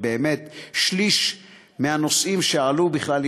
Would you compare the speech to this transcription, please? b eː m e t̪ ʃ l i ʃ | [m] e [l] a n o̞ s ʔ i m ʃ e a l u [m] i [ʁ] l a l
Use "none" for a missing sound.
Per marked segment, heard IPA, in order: m, none, b, χ

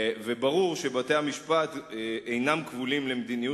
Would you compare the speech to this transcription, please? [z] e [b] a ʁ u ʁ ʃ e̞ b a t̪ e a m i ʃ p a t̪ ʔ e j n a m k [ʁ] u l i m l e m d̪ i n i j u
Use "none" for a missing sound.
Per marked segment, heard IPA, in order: v, b, v

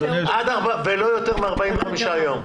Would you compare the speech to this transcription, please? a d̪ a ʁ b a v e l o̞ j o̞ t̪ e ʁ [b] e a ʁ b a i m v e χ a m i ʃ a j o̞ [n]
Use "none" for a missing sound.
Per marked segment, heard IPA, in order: m, m

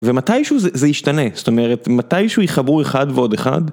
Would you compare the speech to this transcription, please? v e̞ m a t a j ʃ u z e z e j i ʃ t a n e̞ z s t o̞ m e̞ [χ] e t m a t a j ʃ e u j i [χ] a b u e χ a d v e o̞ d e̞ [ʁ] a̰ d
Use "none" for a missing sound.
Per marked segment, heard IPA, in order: ʁ, χ, χ

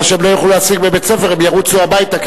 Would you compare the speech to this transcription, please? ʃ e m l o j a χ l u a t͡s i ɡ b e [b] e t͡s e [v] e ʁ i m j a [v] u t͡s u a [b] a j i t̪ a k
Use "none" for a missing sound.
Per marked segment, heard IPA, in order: b, f, ʁ, b

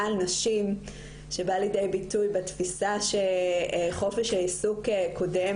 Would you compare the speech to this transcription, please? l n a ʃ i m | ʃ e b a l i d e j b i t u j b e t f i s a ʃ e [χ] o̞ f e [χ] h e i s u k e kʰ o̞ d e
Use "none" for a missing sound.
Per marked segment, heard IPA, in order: χ, ʃ

